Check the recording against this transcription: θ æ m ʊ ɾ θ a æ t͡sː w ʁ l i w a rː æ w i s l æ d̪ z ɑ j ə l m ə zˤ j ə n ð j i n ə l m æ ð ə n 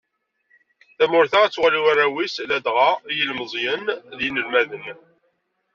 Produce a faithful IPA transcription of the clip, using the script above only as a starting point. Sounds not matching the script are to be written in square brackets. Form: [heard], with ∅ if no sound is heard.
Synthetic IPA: θ æ m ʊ ɾ θ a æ t͡sː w ʁ l i w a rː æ w i s l æ d̪ [ʁ] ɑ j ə l m ə zˤ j ə n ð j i n ə l m æ ð ə n